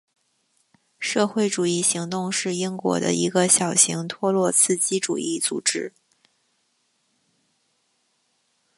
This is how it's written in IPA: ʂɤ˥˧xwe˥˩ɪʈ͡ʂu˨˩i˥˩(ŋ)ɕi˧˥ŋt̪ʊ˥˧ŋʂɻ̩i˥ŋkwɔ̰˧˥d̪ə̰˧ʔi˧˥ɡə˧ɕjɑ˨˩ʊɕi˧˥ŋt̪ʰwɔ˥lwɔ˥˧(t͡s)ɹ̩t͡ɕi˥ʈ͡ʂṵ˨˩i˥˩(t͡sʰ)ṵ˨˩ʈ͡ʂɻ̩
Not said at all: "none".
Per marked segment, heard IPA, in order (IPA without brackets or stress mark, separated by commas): none, t͡sʰ, t͡s